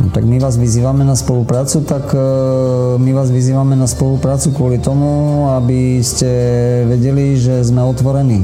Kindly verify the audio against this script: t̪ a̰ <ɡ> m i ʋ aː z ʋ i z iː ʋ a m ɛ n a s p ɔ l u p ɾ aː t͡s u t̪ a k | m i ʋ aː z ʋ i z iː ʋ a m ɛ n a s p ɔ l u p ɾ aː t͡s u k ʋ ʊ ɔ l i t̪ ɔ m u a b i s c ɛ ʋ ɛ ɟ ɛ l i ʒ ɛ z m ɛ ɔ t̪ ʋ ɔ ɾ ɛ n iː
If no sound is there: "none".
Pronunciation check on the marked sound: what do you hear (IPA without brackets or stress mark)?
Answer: ɡ